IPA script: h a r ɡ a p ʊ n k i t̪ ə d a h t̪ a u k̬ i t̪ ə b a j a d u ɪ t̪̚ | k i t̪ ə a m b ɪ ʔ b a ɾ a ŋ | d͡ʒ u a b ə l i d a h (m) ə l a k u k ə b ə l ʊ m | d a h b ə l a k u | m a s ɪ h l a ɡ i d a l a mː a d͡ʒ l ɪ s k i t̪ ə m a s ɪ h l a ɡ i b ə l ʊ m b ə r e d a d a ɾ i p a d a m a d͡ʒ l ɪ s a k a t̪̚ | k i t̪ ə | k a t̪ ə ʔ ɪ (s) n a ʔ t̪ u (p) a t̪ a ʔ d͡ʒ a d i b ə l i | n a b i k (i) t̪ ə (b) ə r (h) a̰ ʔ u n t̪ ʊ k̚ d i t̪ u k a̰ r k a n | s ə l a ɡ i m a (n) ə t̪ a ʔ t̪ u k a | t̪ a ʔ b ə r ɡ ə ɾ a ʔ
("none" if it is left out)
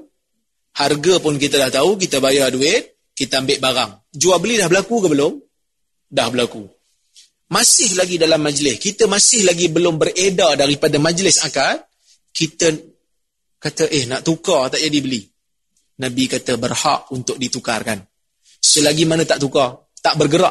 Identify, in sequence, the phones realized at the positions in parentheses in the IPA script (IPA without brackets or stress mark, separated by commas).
b, h, k, a, b, h, n